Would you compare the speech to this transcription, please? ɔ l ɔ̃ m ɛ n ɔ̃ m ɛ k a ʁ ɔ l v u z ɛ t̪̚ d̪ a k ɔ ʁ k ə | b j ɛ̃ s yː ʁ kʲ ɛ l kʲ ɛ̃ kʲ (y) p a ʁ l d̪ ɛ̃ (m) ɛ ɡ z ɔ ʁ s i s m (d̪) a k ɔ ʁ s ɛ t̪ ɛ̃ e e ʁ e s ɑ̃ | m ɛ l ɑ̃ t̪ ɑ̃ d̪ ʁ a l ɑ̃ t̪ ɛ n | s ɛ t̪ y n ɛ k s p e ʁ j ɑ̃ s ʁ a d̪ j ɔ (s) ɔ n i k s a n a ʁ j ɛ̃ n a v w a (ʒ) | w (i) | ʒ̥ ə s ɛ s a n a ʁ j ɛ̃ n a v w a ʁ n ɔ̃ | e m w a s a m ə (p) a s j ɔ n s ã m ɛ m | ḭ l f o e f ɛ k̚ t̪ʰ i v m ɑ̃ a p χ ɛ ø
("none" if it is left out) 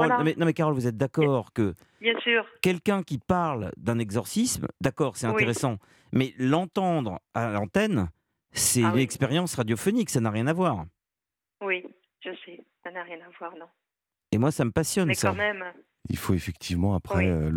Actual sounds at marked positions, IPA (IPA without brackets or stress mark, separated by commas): i, n, d̪, f, ʁ, i, p